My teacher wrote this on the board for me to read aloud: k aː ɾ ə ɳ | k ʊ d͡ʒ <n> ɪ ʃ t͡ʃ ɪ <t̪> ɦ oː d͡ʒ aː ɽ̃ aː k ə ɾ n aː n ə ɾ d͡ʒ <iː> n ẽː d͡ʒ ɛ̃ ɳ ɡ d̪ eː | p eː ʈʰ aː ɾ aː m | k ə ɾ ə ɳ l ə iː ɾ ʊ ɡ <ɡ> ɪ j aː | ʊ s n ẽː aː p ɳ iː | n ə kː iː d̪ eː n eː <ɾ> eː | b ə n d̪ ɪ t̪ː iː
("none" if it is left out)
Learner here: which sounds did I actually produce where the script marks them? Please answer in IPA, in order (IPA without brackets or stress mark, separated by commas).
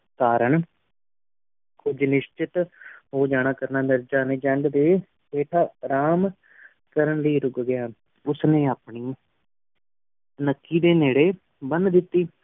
n, t̪, aː, ɡ, ɽ